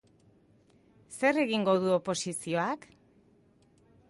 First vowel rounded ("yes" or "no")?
no